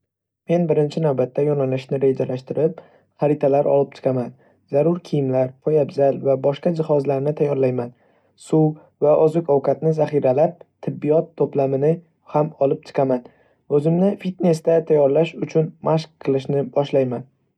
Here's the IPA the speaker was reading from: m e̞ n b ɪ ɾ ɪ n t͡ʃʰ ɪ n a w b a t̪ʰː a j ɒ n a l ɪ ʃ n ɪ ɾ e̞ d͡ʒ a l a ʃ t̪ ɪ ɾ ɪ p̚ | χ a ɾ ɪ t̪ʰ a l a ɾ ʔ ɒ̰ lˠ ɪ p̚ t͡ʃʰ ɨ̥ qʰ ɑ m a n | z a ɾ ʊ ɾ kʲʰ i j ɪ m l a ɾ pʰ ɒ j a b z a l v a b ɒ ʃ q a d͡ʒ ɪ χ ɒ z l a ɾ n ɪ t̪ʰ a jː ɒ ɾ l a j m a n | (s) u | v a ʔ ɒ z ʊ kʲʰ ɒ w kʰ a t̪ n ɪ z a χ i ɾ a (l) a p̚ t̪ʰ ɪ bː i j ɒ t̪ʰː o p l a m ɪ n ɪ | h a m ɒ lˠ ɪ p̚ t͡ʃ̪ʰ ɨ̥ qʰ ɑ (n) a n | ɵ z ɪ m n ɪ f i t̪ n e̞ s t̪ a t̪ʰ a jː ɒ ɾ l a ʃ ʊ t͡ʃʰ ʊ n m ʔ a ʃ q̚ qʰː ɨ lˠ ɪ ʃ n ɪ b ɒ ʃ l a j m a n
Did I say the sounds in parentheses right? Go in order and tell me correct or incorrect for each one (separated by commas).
correct, correct, incorrect